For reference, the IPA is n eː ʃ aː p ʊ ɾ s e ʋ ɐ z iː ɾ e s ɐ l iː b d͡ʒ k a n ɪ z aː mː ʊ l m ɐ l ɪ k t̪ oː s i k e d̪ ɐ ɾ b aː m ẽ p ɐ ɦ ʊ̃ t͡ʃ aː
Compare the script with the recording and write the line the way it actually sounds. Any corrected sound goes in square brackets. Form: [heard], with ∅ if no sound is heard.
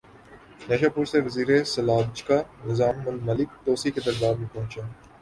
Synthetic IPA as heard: n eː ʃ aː p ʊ ɾ s e ʋ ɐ z iː ɾ e s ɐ l [aː] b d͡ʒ k a n ɪ z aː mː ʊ l m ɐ l ɪ k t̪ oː s i k e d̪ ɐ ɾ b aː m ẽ p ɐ ɦ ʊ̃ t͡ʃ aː